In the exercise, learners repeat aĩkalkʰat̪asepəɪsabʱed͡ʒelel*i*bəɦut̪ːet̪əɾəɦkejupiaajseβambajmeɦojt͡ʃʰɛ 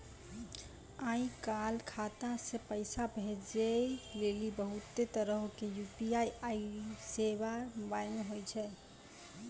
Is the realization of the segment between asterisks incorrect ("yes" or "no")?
no